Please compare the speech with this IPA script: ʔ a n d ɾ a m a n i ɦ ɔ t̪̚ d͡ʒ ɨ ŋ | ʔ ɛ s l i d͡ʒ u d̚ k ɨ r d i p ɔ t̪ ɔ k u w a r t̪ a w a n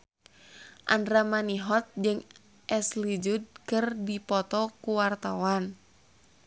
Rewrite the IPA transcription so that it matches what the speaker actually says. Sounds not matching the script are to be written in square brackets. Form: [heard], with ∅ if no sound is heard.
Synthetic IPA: ʔ a n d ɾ a m a n i ɦ ɔ t̪̚ d͡ʒ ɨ ŋ | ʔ ɛ s l i d͡ʒ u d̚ k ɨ r d i p ɔ t̪ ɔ k u w a r t̪ a w a n